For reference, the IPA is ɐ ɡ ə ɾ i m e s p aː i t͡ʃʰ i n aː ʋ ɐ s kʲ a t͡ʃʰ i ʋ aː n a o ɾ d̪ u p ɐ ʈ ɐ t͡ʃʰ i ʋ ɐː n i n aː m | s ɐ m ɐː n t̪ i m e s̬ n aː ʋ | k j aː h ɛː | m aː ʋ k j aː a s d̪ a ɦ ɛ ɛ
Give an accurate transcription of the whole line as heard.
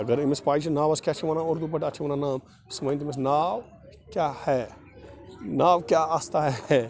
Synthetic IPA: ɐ ɡ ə ɾ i m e s p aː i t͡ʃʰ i n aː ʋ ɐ s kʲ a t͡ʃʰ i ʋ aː n a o ɾ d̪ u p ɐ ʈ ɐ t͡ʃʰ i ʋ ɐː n a n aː m | s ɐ m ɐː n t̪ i m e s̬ n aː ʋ | k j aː h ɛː | n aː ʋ k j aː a s t̪ a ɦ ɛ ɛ